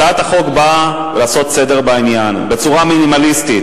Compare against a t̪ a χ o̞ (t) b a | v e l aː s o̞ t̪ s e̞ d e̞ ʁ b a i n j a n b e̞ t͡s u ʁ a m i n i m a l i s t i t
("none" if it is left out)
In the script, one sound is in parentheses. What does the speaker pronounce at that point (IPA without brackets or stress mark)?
k